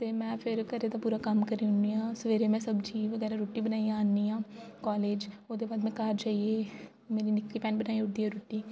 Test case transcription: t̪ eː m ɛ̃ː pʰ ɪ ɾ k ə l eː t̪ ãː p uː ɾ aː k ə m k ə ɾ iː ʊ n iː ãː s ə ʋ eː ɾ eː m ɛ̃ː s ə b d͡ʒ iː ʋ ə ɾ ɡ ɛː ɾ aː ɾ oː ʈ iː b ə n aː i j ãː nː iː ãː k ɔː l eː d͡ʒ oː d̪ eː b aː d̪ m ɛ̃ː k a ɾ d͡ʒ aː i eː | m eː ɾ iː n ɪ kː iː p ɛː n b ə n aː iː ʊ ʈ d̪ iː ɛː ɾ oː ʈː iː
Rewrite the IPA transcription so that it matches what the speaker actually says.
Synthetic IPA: t̪ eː m ɛ̃ː pʰ ɪ ɾ k ə ɾ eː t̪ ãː p uː ɾ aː k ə m k ə ɾ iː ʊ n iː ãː s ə ʋ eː ɾ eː m ɛ̃ː s ə b d͡ʒ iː ʋ ə ɡ ɛː ɾ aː ɾ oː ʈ iː b ə n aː i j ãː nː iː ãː k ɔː l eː d͡ʒ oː d̪ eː b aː d̪ m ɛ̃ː k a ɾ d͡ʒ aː i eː | m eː ɾ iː n ɪ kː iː p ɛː n b ə n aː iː ʊ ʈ d̪ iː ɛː ɾ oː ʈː iː